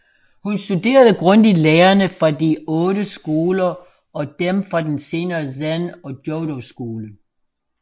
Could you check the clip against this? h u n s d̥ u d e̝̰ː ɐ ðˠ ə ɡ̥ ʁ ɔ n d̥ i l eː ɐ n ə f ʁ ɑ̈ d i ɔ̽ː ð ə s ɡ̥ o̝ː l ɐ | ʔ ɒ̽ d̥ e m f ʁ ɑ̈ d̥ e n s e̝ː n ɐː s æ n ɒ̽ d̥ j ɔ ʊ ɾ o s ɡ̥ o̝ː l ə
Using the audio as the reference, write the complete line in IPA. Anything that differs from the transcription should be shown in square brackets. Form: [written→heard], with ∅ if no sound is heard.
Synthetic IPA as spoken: h u n s d̥ u d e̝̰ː ɐ ðˠ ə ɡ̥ ʁ ɔ n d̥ i l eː ɐ n ə f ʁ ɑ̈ d i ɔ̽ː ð ə s ɡ̥ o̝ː l ɐ | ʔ ɒ̽ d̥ e m f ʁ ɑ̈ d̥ e n s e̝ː n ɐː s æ n ɒ̽ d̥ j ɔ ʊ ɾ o s ɡ̥ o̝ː l ə